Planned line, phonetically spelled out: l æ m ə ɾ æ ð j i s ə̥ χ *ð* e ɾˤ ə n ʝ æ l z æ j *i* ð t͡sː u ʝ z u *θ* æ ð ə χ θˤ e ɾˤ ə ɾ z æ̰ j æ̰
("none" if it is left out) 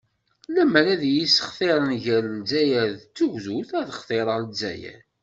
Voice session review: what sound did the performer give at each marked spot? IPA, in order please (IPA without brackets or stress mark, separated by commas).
θ, æ, θ